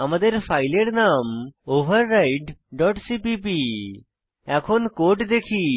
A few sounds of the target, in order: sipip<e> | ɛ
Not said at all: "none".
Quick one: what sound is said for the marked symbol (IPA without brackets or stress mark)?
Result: i